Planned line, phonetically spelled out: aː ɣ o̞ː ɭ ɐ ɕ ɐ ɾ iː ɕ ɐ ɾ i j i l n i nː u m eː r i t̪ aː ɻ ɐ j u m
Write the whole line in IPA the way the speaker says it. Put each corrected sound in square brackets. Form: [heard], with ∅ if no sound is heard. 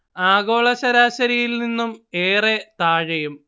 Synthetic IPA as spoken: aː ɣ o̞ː ɭ ɐ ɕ ɐ ɾ [aː] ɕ ɐ ɾ i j i l n i nː u m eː r [e] t̪ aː ɻ ɐ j u m